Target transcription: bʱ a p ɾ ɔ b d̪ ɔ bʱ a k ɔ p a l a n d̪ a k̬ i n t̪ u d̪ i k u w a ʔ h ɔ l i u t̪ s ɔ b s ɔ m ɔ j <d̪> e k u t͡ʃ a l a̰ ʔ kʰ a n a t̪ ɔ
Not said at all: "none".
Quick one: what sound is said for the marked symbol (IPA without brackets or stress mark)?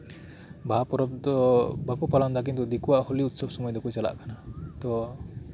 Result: d̪